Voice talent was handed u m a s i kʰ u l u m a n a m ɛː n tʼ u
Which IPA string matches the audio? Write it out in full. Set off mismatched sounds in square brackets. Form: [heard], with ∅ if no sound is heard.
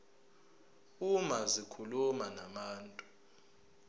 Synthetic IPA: u m a [z] i kʰ u l u m a n a m [aː] n tʼ u